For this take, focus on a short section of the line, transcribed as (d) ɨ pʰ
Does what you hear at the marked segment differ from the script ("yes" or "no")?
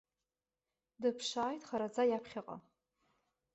no